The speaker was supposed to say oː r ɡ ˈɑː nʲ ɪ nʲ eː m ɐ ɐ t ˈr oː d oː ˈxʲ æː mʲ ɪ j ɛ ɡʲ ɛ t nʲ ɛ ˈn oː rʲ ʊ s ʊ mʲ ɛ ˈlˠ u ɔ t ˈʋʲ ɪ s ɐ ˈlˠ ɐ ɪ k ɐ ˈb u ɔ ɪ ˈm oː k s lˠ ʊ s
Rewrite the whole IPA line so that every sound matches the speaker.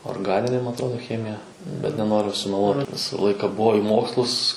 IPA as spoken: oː r ɡ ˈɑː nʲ ɪ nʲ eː m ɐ ɐ t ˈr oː d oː ˈxʲ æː mʲ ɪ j ɛ bʲ ɛ t nʲ ɛ ˈn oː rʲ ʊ s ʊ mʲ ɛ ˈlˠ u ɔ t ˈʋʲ ɪ s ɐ ˈlˠ ɐ ɪ k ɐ ˈb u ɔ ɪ ˈm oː k s lˠ ʊ s